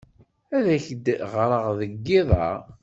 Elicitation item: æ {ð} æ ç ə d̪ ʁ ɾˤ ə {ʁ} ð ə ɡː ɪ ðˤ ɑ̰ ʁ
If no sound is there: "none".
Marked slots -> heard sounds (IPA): ð, ʁ

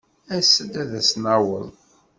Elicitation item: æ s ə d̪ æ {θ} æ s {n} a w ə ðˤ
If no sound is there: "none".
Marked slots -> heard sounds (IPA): ð, n

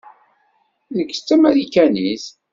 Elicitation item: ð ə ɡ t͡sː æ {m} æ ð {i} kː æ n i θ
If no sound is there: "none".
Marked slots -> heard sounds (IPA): m, i

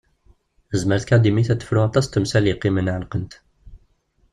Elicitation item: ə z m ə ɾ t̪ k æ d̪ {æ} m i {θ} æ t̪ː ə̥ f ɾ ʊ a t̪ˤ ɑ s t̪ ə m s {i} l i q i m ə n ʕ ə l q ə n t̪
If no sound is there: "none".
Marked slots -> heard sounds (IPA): i, θ, æ

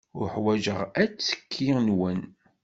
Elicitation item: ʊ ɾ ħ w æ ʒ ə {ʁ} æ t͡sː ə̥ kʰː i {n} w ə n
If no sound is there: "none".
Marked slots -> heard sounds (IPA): ʁ, n

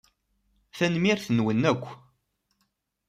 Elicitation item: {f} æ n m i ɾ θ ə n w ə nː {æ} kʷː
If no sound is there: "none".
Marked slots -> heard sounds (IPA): θ, æ

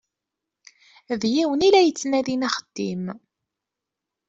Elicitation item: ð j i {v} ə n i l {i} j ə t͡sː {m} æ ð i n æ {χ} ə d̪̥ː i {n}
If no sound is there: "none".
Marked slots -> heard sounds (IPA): w, æ, n, χ, m

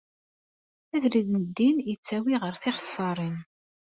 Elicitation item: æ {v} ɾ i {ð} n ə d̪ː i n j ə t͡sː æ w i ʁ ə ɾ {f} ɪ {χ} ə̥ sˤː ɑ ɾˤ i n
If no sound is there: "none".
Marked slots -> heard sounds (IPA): ð, ð, θ, χ

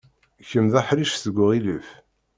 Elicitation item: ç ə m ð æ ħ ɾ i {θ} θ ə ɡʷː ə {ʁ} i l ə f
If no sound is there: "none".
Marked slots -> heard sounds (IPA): ʃ, ʁ

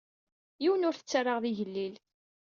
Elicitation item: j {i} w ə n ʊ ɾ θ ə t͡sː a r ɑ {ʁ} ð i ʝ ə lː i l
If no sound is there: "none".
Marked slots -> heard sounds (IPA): i, ʁ

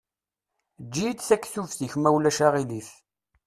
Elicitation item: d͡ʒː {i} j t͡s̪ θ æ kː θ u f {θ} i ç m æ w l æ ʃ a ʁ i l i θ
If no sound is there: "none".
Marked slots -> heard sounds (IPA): i, θ

